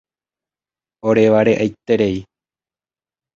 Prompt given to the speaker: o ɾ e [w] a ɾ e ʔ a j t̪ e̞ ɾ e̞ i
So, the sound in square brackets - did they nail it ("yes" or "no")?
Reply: no